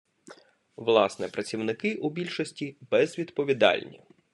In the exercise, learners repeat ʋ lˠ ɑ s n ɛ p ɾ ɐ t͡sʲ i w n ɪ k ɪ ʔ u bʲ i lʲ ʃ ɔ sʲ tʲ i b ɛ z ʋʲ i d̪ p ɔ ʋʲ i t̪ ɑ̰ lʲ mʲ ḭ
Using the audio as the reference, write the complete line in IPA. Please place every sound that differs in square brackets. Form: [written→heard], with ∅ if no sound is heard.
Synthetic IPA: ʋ lˠ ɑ s n ɛ p ɾ ɐ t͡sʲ i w n ɪ k ɪ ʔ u bʲ i lʲ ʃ ɔ sʲ tʲ i b ɛ z ʋʲ i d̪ p ɔ ʋʲ i [t̪→d̪] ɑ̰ lʲ [mʲ→nʲ] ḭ